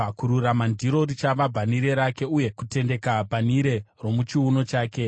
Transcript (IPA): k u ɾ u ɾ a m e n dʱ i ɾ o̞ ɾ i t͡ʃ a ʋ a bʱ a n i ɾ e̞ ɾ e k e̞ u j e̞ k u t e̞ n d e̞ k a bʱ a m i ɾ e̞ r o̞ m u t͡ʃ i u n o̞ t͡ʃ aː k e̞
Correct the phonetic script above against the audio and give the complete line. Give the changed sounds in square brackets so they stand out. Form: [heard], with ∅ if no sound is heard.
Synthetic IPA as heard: k u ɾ u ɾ a m [a] n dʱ i ɾ o̞ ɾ i t͡ʃ a ʋ a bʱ a n i ɾ e̞ ɾ [a] k e̞ u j e̞ k u t e̞ n d e̞ k a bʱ a [n] i ɾ e̞ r o̞ m u t͡ʃ i u n o̞ t͡ʃ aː k e̞